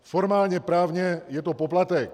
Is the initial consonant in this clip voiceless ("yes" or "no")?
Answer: yes